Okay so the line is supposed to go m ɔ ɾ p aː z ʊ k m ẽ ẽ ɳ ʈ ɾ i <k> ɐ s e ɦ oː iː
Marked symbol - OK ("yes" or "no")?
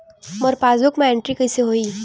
yes